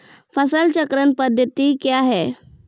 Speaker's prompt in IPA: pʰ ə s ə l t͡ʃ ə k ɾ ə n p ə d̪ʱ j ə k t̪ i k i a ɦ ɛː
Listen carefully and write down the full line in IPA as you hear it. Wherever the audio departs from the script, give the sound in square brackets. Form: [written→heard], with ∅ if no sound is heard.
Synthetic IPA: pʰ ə s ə l t͡ʃ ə k ɾ ə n p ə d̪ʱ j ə [k→∅] t̪ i k [i→j] a ɦ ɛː